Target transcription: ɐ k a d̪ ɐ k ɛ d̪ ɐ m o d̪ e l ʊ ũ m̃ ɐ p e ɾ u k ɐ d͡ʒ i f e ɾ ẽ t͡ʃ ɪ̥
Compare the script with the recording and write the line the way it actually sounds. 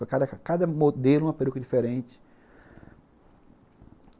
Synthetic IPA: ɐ k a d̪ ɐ k a d̪ ɐ m o d̪ e l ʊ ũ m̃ ɐ p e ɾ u k ɐ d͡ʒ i f e ɾ ẽ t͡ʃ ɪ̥